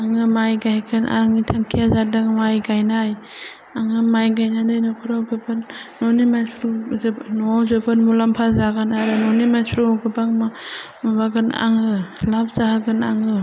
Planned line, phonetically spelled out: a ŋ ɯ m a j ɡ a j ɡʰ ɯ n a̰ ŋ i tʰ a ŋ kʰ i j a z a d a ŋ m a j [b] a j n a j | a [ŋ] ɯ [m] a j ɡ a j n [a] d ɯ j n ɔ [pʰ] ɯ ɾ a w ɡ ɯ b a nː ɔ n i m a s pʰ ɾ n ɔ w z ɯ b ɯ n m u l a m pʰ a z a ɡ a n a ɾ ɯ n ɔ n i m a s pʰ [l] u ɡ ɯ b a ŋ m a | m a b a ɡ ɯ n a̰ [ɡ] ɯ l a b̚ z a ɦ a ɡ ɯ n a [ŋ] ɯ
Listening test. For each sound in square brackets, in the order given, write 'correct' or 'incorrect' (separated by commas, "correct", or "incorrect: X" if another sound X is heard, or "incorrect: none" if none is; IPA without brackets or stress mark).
incorrect: ɡ, correct, correct, correct, incorrect: kʰ, incorrect: ɾ, incorrect: ŋ, correct